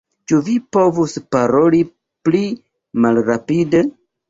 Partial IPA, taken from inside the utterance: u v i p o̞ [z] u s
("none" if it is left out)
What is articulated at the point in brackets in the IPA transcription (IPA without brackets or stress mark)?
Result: v